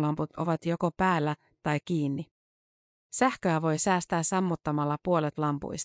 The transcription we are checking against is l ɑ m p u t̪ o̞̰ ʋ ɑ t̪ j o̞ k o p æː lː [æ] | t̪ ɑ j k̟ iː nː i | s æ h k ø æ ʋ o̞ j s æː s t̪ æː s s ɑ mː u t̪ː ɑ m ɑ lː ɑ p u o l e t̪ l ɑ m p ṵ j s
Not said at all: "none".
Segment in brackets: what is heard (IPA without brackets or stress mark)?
æ